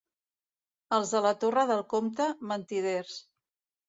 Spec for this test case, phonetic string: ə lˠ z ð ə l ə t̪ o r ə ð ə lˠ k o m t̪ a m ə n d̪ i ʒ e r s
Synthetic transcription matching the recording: ə lˠ z ð ə l ə t̪ o r ə ð ə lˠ k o m t̪ ə m ə n t̪ i ð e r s